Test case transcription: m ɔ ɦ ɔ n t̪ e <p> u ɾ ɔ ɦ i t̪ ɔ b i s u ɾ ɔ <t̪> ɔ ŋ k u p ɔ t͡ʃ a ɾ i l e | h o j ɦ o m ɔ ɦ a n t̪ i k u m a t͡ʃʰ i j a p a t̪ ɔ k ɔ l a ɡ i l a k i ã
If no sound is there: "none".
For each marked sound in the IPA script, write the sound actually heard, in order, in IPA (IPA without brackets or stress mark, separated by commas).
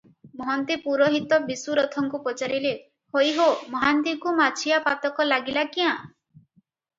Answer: p, t̪ʰ